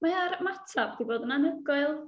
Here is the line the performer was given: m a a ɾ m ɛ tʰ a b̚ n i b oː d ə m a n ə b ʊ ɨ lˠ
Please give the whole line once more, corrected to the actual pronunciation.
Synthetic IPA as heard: m a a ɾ m a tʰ a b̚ d i b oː d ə n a n ə ɡ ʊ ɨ lˠ